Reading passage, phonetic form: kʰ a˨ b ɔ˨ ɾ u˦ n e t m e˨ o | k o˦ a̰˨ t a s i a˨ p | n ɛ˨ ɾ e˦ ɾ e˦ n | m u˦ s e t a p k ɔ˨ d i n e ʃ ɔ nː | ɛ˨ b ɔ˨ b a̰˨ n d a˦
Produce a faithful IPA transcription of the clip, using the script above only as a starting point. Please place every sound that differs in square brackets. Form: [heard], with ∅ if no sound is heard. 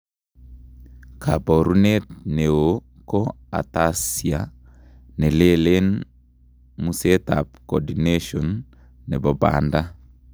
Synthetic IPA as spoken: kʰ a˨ b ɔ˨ ɾ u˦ n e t [n] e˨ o | k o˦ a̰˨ t a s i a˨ [∅] | n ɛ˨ [l] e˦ [l] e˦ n | m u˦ s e t a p k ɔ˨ d i n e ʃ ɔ nː | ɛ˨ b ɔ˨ b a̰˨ n d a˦